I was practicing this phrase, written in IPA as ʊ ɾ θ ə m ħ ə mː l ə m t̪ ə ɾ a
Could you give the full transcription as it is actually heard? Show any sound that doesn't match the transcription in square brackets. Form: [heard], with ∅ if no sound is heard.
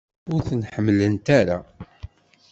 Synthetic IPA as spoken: ʊ ɾ θ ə [n] ħ ə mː l ə [n] t̪ [a] ɾ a